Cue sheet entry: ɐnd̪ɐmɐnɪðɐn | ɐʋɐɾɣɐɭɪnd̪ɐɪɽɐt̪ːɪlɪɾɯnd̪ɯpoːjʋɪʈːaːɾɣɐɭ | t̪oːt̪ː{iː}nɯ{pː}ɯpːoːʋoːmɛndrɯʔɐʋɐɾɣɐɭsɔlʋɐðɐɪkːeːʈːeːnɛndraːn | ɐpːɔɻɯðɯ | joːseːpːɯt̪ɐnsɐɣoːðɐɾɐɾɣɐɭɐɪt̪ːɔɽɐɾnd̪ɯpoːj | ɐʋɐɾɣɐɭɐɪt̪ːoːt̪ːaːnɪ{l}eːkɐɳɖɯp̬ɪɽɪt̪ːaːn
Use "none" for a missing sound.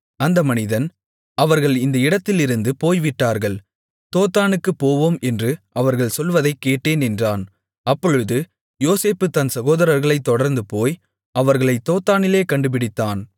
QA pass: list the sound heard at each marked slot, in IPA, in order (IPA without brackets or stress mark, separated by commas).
aː, kː, l